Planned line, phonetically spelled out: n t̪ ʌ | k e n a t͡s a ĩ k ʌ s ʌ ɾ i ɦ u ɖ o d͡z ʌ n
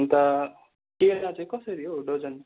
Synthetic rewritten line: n t̪ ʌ | k e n a t͡s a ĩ k ʌ s ʌ ɾ i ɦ o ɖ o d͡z ʌ n